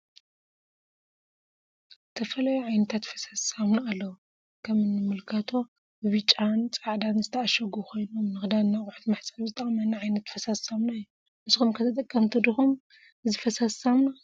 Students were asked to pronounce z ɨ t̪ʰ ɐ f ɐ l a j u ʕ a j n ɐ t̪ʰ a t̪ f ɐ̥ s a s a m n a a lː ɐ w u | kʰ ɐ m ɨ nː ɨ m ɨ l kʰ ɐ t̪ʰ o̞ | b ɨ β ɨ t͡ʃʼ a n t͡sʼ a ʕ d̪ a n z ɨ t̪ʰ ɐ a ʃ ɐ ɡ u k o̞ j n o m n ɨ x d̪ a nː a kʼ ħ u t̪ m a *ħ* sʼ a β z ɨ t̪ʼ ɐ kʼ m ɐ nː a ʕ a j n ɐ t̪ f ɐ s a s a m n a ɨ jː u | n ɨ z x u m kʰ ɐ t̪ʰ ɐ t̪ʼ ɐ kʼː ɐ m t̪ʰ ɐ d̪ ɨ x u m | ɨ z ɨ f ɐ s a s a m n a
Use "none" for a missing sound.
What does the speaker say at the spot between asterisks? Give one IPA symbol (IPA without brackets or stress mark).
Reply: ħ